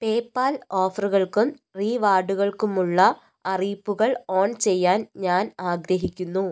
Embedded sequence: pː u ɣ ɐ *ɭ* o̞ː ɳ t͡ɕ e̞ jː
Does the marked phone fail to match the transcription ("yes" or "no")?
no